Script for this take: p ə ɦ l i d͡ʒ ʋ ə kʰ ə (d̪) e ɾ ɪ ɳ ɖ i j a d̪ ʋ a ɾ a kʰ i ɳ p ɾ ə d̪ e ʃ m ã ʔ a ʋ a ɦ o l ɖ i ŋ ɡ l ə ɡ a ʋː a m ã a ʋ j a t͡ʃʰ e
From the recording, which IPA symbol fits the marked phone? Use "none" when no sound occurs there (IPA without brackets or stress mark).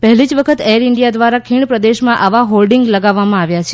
t̪